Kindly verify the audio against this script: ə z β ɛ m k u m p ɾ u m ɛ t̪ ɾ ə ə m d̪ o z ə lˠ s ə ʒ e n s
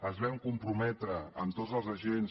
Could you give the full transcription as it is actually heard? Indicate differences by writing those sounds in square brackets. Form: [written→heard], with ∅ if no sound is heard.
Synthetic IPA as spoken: ə z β ɛ m k u m p ɾ u m ɛ t̪ ɾ ə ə m [d̪→t̪] o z ə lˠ [s→z] ə ʒ e n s

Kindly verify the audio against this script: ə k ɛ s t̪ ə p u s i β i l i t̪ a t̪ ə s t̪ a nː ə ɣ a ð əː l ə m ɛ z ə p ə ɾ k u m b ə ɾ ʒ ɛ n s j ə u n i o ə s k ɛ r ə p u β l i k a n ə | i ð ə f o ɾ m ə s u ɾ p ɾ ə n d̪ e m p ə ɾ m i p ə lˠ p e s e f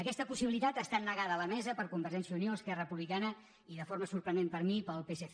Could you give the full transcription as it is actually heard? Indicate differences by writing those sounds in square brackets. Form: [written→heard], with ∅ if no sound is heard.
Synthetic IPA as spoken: ə k ɛ s t̪ ə p u s i β i l i t̪ a t̪ ə s t̪ a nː ə ɣ a ð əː l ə m ɛ z ə p ə ɾ k u m b ə ɾ ʒ ɛ n s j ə u n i o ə s k ɛ r ə p u β l i k a n ə | i ð ə f o ɾ m ə s u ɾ p ɾ ə n d̪ e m p ə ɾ m i p ə lˠ p e s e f

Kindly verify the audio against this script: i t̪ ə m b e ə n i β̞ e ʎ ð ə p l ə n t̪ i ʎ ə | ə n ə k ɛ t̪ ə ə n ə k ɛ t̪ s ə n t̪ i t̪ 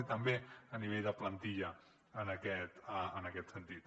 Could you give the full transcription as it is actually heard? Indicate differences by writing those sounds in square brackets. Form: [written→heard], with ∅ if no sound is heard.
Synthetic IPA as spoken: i t̪ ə m b e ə n i β̞ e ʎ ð ə p l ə n t̪ i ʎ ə | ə n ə k ɛ t̪ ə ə n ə k ɛ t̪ s ə n t̪ i t̪

